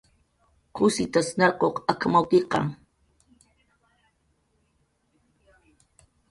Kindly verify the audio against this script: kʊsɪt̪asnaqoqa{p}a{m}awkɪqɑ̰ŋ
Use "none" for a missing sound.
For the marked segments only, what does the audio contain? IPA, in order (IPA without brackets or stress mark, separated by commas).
k, m